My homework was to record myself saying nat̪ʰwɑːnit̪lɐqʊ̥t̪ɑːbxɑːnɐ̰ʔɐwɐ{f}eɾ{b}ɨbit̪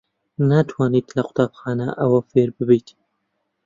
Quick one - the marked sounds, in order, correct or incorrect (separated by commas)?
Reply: correct, correct